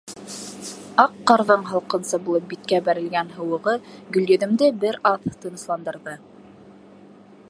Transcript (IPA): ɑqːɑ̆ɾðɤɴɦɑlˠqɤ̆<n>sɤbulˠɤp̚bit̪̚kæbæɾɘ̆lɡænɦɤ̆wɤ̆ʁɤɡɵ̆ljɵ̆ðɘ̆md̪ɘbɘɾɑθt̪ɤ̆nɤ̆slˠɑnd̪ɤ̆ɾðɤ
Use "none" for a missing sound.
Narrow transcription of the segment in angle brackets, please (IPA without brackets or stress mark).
n